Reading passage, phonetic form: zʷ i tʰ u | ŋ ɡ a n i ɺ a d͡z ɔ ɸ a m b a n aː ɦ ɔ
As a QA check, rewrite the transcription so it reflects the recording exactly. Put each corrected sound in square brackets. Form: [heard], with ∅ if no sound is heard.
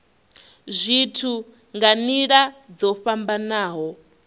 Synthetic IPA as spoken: zʷ i tʰ u | ŋ ɡ a n i ɺ a d͡z ɔ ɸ a m b a n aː ɦ ɔ